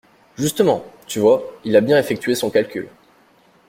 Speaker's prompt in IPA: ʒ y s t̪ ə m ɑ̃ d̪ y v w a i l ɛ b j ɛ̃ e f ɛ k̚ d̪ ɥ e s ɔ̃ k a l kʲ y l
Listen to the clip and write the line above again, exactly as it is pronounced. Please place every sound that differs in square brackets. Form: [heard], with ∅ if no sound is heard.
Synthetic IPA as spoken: ʒ y s t̪ ə m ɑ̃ [t̪] y v w a i l [a] b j ɛ̃ e f ɛ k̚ [t̪] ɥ e s ɔ̃ k a l kʲ y l